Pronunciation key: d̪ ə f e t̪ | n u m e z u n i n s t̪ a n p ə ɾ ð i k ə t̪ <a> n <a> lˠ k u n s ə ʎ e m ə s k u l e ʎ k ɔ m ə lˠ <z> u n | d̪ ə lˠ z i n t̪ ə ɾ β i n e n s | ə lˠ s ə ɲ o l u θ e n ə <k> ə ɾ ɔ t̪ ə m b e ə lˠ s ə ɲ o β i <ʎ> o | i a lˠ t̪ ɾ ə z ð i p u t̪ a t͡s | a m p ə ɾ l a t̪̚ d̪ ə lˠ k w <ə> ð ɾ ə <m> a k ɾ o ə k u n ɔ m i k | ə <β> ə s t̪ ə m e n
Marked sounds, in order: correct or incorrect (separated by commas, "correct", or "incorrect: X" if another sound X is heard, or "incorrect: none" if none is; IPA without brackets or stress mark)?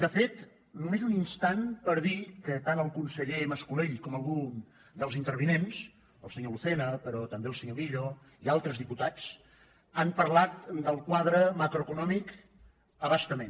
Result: correct, incorrect: ə, incorrect: ɣ, incorrect: p, correct, incorrect: a, correct, correct